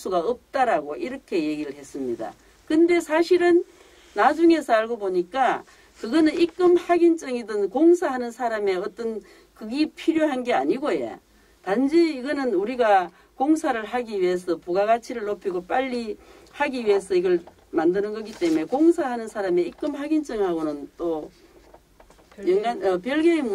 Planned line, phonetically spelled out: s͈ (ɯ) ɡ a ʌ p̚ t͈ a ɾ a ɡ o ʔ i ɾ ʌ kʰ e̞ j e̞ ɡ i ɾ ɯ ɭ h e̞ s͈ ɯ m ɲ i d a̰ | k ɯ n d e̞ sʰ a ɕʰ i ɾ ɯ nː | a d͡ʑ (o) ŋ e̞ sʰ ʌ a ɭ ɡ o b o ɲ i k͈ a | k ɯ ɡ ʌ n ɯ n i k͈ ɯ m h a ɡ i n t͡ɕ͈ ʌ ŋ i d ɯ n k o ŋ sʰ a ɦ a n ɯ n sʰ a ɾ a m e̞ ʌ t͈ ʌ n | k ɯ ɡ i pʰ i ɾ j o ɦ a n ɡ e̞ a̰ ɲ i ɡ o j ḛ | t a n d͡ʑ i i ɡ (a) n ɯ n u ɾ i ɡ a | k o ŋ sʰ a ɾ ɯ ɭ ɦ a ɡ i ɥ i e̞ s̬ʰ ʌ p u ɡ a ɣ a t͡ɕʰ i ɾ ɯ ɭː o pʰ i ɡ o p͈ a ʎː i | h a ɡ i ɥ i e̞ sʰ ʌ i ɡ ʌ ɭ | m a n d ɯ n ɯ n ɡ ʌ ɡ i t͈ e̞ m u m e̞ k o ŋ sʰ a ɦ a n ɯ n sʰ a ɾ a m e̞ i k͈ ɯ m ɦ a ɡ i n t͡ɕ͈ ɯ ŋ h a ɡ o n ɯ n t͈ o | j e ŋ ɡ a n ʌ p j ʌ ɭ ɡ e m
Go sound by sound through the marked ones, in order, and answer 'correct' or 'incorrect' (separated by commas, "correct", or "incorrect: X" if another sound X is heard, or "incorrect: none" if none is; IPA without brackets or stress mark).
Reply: incorrect: u, incorrect: u, incorrect: ʌ